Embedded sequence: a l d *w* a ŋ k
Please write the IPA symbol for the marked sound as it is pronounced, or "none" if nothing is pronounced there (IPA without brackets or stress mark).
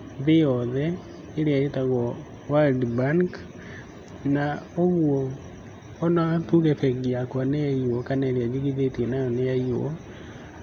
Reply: b